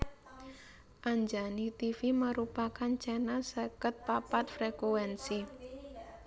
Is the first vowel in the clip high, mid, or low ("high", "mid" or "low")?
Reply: low